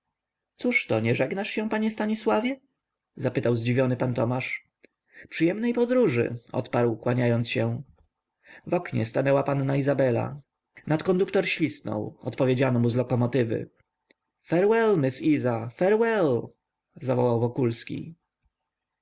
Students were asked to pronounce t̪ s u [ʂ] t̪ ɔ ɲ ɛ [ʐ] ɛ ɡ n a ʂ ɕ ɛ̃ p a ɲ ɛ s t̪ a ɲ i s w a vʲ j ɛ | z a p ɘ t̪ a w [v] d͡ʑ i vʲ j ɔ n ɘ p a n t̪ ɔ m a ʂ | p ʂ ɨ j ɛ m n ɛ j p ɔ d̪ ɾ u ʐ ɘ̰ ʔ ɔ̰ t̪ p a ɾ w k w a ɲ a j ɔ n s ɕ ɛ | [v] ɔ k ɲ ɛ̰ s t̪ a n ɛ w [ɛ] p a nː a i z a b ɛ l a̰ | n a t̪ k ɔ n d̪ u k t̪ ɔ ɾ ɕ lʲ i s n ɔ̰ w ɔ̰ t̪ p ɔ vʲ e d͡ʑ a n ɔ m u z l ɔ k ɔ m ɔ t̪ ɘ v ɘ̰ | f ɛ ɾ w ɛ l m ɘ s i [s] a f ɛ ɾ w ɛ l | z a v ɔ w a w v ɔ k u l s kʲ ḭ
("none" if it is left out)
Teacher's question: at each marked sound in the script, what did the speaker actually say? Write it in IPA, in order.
ʂ, ʐ, z, v, a, z

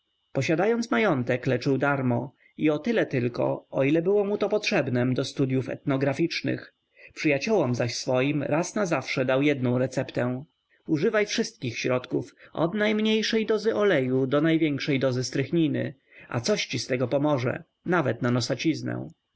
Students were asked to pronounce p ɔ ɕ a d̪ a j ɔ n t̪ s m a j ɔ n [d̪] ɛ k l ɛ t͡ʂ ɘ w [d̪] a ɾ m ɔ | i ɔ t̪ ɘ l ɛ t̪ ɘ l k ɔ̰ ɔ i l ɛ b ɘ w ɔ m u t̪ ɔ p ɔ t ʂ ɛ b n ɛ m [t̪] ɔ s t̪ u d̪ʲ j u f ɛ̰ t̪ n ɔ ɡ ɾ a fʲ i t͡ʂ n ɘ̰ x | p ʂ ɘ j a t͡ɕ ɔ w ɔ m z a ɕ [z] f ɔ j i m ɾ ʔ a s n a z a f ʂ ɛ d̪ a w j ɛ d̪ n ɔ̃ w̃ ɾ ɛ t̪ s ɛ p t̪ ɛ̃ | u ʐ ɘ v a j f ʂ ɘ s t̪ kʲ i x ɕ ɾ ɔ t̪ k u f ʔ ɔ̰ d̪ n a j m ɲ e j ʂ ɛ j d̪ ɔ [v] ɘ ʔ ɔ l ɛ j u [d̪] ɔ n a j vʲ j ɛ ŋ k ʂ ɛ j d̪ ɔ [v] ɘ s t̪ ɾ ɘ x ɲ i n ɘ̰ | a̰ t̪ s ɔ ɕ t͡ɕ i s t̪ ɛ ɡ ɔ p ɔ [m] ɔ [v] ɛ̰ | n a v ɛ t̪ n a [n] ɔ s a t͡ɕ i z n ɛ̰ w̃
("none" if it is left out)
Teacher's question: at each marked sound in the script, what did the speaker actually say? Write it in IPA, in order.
t̪, d̪, d̪, s, z, d̪, z, m, ʐ, n

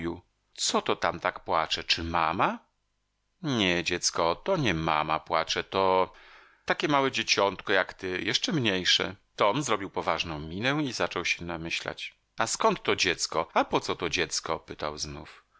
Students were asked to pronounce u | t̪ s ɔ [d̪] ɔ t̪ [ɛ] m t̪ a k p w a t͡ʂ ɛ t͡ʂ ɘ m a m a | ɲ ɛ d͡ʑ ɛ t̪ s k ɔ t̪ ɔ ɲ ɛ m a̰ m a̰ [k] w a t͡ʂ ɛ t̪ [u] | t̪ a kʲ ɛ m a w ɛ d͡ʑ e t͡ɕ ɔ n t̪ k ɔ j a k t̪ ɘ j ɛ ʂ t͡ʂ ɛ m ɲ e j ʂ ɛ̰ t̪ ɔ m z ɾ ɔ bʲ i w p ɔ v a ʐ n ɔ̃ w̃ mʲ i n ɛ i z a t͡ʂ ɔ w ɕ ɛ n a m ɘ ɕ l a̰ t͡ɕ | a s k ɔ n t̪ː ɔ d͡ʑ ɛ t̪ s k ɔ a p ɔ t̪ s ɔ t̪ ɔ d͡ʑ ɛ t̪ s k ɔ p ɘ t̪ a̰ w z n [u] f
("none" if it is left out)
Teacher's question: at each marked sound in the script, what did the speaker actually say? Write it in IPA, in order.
t̪, a, p, ɔ, u

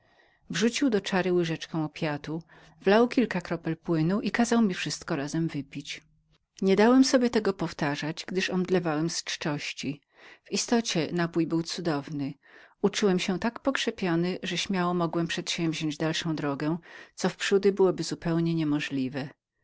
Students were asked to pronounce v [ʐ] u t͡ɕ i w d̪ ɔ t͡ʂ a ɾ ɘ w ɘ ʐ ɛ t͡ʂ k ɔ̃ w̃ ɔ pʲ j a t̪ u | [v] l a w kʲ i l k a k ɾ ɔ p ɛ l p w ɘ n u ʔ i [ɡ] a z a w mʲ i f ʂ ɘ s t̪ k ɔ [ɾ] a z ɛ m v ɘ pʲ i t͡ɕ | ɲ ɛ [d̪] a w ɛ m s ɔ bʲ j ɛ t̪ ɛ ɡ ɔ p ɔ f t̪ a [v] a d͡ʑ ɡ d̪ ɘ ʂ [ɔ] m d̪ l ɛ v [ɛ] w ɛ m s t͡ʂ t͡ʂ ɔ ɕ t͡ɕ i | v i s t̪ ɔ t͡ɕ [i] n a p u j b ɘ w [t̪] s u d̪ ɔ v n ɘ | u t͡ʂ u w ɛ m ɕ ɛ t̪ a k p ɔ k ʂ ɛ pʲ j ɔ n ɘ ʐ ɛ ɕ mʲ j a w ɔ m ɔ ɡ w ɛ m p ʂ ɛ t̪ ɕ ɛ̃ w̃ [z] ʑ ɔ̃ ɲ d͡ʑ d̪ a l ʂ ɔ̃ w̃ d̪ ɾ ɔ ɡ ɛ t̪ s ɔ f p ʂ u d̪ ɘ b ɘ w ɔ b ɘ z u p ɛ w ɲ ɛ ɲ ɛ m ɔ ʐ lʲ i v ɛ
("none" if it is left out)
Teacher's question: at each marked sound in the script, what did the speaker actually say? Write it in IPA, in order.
ʐ, v, k, ɾ, d̪, ʐ, ɔ, a, ɛ, t̪, v

